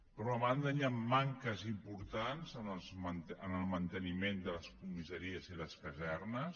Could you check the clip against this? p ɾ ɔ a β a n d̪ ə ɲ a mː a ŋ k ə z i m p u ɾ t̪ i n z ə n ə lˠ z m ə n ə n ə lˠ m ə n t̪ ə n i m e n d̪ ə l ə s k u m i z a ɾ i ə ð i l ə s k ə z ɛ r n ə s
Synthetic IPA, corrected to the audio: p ɾ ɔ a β a n d̪ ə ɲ a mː a ŋ k ə z i m p u ɾ t̪ a n z ə n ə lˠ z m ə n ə n ə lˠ m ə n t̪ ə n i m e n d̪ ə l ə s k u m i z ə ɾ i ə z i l ə s k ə z ɛ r n ə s